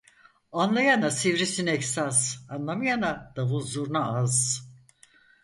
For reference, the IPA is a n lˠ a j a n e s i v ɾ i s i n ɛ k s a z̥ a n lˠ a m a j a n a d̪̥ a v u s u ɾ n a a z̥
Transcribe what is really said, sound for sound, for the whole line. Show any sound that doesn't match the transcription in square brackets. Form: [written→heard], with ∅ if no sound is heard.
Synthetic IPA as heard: a n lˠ a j a n [e→a] s i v ɾ i s i n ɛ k s a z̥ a n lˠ a m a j a n a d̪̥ a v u [s→z] u ɾ n a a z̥